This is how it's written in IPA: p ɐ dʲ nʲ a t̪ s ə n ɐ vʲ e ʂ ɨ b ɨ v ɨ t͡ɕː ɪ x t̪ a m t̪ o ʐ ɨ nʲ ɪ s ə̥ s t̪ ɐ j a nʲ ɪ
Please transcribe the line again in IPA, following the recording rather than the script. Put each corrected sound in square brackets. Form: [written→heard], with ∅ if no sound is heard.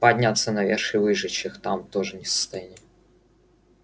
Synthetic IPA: p ɐ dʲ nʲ a t̪ s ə n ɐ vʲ e ʂ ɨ [b→v] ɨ [v→ʐ] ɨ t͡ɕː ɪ x t̪ a m t̪ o ʐ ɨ nʲ ɪ s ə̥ s t̪ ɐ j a nʲ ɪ

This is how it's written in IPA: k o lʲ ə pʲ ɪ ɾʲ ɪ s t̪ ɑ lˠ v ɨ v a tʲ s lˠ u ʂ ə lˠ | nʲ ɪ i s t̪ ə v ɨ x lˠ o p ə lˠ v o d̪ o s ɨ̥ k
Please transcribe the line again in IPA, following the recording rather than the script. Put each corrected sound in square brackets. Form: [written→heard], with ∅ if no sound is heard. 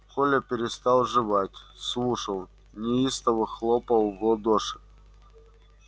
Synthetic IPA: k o lʲ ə pʲ ɪ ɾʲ ɪ s t̪ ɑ lˠ [v→ʐ] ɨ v a tʲ s lˠ u ʂ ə lˠ | nʲ ɪ i s t̪ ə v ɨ x lˠ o p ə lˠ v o d̪ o [s→ʂ] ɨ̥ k

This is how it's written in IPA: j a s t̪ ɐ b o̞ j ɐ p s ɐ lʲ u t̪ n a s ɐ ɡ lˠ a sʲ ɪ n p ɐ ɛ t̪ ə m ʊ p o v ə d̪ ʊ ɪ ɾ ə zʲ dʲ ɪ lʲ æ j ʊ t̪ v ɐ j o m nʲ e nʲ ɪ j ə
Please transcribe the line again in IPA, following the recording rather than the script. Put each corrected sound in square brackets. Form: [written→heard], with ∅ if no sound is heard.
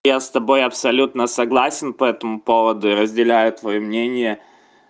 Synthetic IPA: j a s t̪ ɐ b o̞ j ɐ p s ɐ lʲ u t̪ n [a→ə] s ɐ ɡ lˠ a sʲ ɪ n p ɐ ɛ t̪ ə m ʊ p o v ə d̪ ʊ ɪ ɾ ə zʲ dʲ ɪ lʲ æ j ʊ t̪ v ɐ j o m nʲ e nʲ ɪ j ə

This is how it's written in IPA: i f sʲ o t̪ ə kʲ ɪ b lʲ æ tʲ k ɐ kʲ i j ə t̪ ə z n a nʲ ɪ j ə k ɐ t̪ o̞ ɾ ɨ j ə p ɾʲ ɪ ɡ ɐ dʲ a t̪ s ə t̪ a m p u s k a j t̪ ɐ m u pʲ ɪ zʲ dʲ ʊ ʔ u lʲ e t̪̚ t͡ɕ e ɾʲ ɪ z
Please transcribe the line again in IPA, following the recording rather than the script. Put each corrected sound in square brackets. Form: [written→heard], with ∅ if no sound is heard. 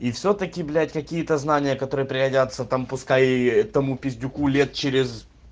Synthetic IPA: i f sʲ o t̪ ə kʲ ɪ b lʲ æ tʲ k ɐ kʲ i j ə t̪ ə z n a nʲ ɪ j ə k ɐ t̪ o̞ ɾ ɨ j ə p ɾʲ ɪ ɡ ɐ dʲ a t̪ s ə t̪ a m p [u→ʊ] s k a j t̪ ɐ m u pʲ ɪ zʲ dʲ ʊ [ʔ→k] u lʲ e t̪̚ t͡ɕ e ɾʲ ɪ z

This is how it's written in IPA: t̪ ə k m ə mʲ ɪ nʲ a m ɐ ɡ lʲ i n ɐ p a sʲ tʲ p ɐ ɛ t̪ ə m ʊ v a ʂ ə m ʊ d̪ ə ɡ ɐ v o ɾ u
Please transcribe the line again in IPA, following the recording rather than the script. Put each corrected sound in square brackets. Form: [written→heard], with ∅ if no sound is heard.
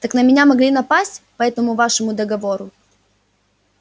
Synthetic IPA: t̪ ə k [m→n] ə mʲ ɪ nʲ a m ɐ ɡ lʲ i n ɐ p a sʲ tʲ p ɐ ɛ t̪ ə m ʊ v a ʂ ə m ʊ d̪ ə ɡ ɐ v o ɾ [u→ʊ]

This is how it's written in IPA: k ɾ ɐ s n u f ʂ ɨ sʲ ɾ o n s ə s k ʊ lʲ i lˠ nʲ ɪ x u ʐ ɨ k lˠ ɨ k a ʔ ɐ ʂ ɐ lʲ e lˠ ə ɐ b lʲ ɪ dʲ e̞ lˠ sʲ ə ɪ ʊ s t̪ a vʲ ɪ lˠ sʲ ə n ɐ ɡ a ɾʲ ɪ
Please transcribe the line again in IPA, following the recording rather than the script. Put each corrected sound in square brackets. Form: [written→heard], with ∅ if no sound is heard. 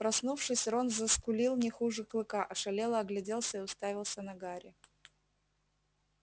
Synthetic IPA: [k→p] ɾ ɐ s n u f ʂ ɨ sʲ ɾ o n [s→z] ə s k ʊ lʲ i lˠ nʲ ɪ x u ʐ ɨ k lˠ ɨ k a ʔ ɐ ʂ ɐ lʲ e lˠ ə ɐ [b→ɡ] lʲ ɪ dʲ e̞ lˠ sʲ ə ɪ ʊ s t̪ a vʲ ɪ lˠ sʲ ə n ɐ ɡ a ɾʲ ɪ

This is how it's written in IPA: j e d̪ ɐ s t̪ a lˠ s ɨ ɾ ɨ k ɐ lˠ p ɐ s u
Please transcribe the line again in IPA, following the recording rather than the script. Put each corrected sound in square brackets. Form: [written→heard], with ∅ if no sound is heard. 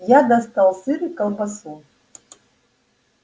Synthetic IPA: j [e→a] d̪ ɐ s t̪ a lˠ s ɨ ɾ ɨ k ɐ lˠ [p→b] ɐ s u

